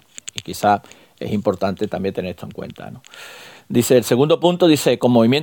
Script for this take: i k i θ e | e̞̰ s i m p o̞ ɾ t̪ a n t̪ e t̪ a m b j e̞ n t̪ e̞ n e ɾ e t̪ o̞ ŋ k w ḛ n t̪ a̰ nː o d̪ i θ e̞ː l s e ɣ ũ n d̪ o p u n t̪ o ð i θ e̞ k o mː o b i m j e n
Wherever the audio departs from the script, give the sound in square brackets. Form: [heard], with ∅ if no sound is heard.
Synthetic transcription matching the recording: i k i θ [a] | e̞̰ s i m p o̞ ɾ t̪ a n t̪ e t̪ a m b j e̞ n t̪ e̞ n e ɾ e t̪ o̞ ŋ k w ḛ n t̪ a̰ [n] o d̪ i θ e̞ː l s e ɣ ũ n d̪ o p u n t̪ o ð i θ e̞ k o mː o [β] i m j e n